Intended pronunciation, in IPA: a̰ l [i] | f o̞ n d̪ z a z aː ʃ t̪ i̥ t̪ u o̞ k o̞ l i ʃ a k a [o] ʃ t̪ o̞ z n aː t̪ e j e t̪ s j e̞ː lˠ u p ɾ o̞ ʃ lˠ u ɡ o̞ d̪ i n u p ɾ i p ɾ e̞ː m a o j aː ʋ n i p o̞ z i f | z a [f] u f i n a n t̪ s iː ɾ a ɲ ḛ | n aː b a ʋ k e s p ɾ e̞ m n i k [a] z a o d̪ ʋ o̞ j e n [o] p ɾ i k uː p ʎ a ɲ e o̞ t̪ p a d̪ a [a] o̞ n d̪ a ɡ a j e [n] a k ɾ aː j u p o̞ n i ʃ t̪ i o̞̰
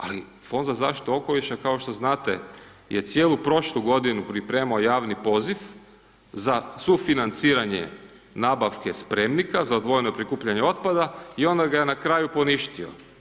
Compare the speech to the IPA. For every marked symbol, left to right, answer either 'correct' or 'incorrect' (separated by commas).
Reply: correct, correct, incorrect, correct, correct, incorrect, correct